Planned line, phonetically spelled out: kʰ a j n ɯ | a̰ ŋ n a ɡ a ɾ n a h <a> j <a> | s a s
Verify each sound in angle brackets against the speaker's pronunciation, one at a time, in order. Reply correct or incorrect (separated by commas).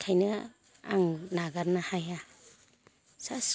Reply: correct, correct